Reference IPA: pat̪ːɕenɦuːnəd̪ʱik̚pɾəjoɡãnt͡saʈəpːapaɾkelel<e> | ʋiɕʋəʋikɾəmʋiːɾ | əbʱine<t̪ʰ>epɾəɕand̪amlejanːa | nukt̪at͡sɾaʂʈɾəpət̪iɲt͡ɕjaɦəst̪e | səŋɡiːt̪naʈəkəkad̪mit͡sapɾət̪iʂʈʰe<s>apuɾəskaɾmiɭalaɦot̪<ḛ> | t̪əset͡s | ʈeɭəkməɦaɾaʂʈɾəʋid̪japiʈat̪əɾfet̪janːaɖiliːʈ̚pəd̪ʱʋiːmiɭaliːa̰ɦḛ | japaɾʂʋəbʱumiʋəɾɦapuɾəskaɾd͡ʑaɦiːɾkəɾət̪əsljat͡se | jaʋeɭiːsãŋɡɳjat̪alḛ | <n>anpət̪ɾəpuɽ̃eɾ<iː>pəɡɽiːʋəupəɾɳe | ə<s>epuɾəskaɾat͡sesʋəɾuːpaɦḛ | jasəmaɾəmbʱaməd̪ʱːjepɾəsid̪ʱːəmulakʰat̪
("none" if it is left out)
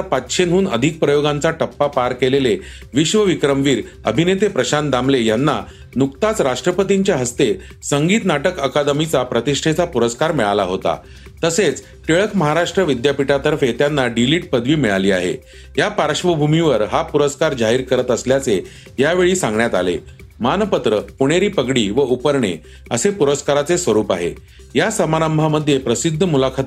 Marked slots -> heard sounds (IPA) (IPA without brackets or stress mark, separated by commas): e, t̪, t͡s, a̰, m, iː, s